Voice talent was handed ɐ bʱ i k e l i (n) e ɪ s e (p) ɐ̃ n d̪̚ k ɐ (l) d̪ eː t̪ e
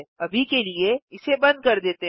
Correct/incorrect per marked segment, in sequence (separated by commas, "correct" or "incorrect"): incorrect, incorrect, incorrect